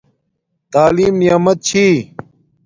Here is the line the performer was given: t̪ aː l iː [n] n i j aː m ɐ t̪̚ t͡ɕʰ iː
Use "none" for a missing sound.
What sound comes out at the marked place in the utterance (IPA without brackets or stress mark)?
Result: m